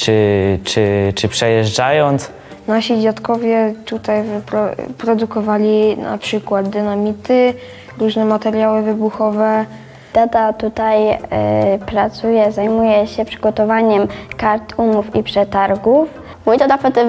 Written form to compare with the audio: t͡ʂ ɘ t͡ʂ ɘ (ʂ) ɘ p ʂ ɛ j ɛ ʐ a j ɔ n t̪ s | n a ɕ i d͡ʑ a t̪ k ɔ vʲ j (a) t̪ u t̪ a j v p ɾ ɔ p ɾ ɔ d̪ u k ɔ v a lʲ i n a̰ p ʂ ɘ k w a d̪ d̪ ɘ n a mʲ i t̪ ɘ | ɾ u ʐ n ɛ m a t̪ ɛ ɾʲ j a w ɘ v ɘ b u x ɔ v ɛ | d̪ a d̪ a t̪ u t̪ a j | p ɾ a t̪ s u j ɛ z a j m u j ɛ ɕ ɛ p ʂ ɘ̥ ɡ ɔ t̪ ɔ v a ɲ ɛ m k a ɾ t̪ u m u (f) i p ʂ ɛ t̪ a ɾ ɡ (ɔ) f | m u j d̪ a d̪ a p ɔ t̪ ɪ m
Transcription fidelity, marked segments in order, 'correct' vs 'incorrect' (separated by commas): incorrect, incorrect, correct, incorrect